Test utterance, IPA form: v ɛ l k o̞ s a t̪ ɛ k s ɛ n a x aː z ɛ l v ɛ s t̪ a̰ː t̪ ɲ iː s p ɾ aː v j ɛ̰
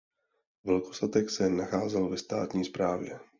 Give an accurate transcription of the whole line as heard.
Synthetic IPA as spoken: v ɛ l k o̞ s a t̪ ɛ k s ɛ n a x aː z ɛ l v ɛ s t̪ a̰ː t̪ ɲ iː s p ɾ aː v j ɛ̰

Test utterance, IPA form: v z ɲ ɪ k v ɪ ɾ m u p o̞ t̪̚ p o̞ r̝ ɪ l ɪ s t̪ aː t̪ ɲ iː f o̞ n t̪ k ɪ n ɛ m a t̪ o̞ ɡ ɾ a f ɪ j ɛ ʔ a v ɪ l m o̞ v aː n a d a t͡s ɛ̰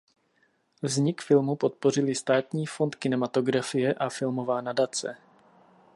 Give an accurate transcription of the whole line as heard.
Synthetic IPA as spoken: v z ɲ ɪ k f ɪ l m u p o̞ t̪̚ p o̞ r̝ ɪ l ɪ s t̪ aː t̪ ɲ iː f o̞ n t̪ k ɪ n ɛ m a t̪ o̞ ɡ ɾ a f ɪ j ɛ ʔ a f ɪ l m o̞ v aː n a d a t͡s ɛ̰

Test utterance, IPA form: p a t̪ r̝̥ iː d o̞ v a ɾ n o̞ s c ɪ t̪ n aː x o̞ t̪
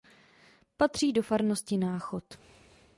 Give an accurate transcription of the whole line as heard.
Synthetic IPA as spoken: p a t̪ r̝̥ iː d o̞ f a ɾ n o̞ s c ɪ n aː x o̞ t̪

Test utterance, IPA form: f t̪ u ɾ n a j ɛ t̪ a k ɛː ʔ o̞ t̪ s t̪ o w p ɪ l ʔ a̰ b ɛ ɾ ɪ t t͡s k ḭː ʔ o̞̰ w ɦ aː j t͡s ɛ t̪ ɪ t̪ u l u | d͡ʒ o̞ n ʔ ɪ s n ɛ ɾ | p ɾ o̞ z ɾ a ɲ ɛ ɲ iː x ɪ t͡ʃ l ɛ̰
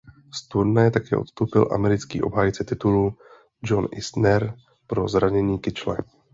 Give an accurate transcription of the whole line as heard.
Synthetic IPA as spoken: s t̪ u ɾ n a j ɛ t̪ a k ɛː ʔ o̞ t̪ s t̪ o w p ɪ l ʔ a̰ m ɛ ɾ ɪ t t͡s k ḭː ʔ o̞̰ b ɦ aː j t͡s ɛ t̪ ɪ t̪ u l u | d͡ʒ o̞ n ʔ ɪ s n ɛ ɾ | p ɾ o̞ z ɾ a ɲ ɛ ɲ iː k ɪ t͡ʃ l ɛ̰

